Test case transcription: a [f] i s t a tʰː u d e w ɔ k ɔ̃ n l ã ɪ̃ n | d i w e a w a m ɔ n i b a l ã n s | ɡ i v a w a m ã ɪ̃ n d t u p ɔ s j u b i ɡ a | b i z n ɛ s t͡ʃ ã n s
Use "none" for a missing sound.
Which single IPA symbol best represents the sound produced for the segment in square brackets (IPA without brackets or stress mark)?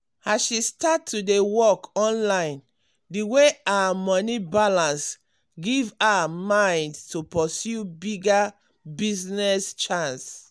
ʃ